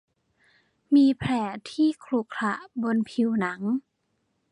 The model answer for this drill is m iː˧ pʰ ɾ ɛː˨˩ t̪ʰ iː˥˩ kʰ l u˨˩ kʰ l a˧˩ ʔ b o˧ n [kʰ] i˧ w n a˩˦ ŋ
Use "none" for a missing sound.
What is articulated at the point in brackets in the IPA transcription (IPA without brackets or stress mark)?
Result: pʰ